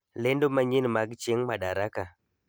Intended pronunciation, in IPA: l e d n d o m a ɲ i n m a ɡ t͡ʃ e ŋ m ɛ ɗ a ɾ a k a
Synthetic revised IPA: l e n d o m a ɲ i n m a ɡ t͡ʃ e ŋ m a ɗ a ɾ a k a